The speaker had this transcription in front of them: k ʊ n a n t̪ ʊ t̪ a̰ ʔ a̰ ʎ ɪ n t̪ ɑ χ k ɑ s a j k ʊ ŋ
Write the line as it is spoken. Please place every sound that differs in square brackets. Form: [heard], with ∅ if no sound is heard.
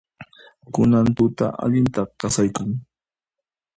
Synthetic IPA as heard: k ʊ n a n t̪ ʊ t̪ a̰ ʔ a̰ ʎ ɪ n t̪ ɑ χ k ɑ s a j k ʊ ŋ